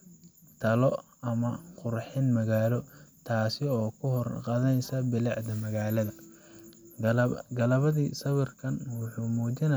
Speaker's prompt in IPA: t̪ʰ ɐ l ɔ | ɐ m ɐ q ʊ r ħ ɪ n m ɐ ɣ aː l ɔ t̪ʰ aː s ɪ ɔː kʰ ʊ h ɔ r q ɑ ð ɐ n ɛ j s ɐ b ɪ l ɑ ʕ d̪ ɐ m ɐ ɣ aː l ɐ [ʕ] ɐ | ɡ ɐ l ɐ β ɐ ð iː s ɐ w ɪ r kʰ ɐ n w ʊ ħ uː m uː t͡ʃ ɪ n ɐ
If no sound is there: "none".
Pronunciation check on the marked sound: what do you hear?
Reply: ð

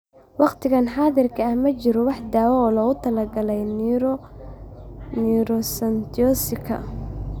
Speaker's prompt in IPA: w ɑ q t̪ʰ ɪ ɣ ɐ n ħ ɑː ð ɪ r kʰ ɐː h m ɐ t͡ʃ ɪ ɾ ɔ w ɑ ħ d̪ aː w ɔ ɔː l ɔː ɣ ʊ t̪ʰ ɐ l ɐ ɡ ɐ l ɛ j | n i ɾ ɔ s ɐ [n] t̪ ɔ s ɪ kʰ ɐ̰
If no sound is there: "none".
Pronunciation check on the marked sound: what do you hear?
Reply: n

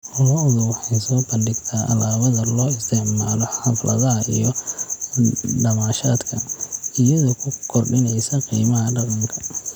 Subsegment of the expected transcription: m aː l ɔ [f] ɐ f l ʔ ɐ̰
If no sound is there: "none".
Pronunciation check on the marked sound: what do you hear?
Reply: ħ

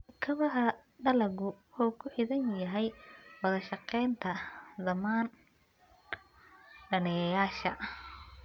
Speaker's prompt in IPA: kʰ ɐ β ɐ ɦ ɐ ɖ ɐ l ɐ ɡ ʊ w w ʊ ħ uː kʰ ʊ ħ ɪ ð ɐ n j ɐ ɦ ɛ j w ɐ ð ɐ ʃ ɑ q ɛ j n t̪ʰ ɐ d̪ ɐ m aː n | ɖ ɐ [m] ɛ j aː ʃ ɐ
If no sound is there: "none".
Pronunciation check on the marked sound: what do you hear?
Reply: n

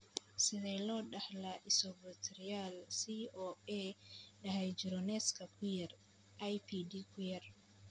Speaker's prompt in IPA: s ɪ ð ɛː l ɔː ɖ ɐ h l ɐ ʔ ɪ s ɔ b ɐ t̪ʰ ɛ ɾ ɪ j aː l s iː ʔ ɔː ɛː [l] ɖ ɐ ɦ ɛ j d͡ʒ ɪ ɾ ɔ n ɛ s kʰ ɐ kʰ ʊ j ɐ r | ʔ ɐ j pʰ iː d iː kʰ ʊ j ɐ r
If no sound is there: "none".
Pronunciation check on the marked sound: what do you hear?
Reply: none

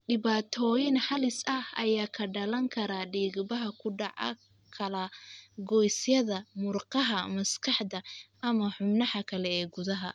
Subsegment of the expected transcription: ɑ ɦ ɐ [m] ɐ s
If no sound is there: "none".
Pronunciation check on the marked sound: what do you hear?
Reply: m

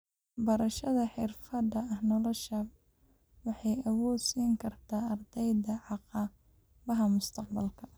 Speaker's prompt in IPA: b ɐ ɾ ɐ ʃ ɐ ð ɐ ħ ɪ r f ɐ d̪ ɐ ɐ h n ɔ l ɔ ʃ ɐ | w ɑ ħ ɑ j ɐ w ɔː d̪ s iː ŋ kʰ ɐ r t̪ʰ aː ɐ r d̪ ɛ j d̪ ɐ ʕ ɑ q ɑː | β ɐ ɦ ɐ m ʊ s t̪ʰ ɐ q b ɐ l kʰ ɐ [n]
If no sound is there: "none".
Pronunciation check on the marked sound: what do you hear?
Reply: none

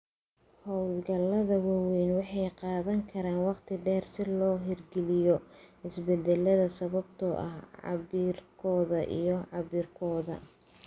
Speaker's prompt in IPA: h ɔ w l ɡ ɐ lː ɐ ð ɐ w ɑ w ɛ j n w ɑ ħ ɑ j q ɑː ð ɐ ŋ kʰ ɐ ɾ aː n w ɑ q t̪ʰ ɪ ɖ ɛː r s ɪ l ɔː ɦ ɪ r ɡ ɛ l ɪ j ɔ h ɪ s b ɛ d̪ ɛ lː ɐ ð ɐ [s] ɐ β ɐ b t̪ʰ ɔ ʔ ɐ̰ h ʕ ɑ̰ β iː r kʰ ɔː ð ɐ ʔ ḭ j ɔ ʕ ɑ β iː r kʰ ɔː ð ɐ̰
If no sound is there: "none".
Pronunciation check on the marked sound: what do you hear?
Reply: s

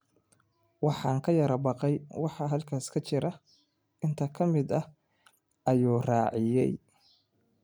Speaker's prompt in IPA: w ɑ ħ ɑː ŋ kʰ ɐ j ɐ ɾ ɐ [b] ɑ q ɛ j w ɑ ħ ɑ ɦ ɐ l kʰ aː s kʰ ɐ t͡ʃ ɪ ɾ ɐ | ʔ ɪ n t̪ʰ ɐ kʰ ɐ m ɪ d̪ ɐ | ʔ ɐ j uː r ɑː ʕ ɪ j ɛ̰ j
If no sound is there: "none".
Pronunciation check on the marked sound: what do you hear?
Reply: b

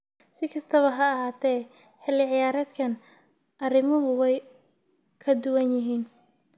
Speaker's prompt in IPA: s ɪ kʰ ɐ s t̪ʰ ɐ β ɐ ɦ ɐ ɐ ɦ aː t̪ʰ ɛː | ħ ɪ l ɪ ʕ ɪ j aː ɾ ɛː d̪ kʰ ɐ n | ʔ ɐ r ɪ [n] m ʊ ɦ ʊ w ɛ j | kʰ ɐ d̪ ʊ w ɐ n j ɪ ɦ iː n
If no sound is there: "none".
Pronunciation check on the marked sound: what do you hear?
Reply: none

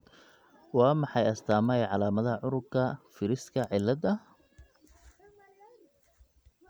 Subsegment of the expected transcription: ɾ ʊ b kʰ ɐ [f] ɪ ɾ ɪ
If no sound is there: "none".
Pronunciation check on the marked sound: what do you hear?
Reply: f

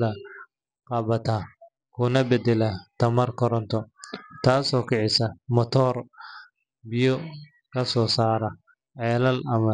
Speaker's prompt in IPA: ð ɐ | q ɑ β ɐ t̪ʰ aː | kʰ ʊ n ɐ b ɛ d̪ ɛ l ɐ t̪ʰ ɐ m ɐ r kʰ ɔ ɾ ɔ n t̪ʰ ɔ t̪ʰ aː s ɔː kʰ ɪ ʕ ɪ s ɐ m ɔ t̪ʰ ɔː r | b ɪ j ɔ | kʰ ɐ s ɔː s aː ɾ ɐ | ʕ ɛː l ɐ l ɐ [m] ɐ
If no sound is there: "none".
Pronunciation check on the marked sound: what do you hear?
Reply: m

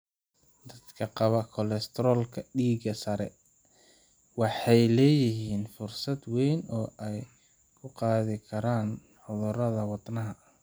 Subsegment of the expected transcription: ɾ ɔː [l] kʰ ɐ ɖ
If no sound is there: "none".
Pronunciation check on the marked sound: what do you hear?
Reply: l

